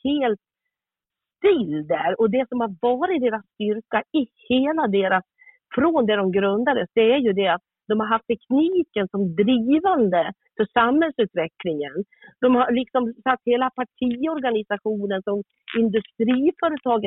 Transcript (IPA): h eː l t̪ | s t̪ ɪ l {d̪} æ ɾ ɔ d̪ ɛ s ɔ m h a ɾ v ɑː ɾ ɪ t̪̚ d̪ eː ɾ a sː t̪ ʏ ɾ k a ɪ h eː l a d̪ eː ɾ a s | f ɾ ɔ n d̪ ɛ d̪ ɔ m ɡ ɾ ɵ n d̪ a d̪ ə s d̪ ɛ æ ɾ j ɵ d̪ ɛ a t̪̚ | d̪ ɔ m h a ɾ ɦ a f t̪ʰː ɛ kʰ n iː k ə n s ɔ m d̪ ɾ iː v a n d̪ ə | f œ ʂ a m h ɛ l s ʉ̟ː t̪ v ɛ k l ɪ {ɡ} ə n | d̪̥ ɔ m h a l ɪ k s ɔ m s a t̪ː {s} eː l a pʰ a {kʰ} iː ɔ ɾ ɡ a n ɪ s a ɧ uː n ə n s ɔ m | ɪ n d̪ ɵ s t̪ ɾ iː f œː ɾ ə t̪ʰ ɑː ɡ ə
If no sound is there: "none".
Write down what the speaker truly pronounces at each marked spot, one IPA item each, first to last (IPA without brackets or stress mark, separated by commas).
d̪, ŋ, h, ʈʰ